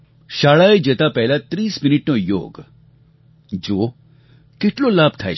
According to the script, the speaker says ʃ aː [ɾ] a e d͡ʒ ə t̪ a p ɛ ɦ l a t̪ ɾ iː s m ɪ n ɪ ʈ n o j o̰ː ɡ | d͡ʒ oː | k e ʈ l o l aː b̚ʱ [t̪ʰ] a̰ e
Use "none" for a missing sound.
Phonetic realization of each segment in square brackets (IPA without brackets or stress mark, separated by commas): ɭ, t̪ʰ